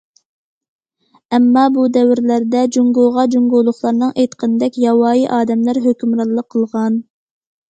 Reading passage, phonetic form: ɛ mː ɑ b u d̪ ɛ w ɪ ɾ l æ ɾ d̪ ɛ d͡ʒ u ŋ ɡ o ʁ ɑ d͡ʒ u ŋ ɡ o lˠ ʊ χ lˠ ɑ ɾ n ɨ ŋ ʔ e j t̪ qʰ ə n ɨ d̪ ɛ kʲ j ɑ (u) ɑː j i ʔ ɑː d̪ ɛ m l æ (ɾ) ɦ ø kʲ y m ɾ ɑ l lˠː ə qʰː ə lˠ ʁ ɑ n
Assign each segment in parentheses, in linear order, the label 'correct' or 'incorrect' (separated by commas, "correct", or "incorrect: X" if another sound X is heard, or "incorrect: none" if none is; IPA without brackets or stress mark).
incorrect: w, correct